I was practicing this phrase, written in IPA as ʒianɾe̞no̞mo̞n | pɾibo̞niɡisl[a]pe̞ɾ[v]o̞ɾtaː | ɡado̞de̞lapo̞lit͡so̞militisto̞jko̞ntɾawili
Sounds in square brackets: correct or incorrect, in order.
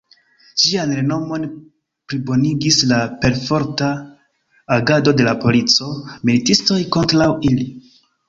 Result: correct, incorrect: f

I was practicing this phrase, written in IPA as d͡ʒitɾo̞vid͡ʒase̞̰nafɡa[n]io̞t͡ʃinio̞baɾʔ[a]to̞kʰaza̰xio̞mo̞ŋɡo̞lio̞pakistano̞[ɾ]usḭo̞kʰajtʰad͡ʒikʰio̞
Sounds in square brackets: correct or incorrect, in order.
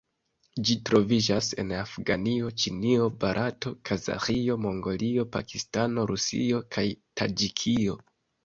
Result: correct, correct, correct

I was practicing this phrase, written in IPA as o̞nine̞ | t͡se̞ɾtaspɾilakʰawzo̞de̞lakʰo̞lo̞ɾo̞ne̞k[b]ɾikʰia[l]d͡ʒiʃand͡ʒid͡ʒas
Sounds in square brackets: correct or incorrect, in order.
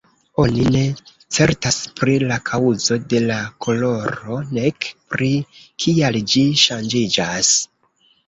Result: incorrect: p, correct

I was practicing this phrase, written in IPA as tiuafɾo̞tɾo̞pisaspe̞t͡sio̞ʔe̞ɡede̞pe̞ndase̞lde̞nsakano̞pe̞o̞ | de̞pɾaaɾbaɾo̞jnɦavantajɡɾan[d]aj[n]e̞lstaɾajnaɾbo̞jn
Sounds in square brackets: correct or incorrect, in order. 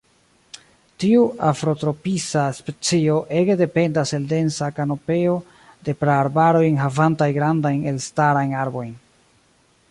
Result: correct, correct

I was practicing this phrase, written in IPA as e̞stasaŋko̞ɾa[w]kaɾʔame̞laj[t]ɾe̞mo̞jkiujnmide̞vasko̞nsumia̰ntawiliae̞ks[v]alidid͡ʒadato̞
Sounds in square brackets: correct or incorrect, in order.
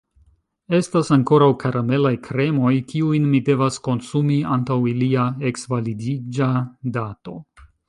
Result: correct, incorrect: k, correct

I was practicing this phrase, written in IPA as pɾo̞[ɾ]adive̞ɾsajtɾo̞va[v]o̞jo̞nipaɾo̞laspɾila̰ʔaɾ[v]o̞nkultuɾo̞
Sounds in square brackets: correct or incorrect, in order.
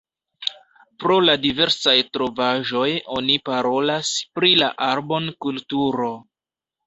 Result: incorrect: l, incorrect: ʒ, incorrect: b

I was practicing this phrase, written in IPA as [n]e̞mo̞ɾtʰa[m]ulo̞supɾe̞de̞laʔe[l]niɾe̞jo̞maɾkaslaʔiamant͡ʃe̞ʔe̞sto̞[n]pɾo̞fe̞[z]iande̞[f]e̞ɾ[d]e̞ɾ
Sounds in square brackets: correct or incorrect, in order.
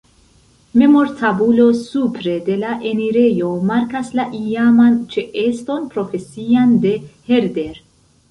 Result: incorrect: m, incorrect: b, incorrect: none, correct, incorrect: s, incorrect: h, correct

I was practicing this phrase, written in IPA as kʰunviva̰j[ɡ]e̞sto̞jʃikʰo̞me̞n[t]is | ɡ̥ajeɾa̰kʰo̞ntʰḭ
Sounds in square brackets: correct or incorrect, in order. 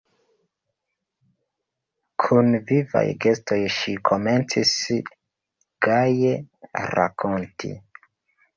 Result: correct, incorrect: t͡s

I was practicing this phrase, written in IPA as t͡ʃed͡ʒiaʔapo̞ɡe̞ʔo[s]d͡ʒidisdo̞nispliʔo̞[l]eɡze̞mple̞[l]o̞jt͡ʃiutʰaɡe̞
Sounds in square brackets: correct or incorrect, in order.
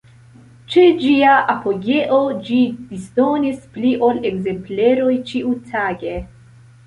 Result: incorrect: none, correct, incorrect: ɾ

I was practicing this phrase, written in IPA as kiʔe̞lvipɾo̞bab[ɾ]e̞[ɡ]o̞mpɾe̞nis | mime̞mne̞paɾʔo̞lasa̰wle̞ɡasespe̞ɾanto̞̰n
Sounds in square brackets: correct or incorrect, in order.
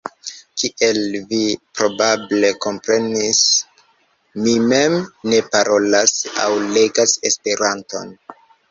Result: incorrect: l, incorrect: k

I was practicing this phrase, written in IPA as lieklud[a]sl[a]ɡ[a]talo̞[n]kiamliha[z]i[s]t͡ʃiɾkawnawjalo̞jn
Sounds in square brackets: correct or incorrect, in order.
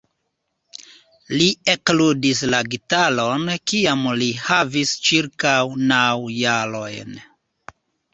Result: incorrect: i, correct, incorrect: i, correct, incorrect: v, correct

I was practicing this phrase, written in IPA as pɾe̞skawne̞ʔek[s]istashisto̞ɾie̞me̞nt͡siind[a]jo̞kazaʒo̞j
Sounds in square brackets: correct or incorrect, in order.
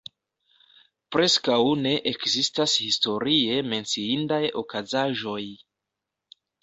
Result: incorrect: z, correct

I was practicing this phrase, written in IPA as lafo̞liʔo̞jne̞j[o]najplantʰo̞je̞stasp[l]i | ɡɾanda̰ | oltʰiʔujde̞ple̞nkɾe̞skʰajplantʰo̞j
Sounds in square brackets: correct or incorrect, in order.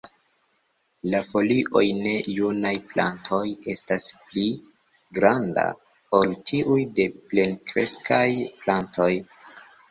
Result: incorrect: u, correct

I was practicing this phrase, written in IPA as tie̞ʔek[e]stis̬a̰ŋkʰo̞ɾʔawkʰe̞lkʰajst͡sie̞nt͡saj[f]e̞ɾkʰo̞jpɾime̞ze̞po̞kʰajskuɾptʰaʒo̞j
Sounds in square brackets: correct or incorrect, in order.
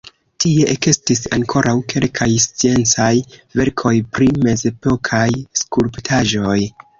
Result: correct, incorrect: v

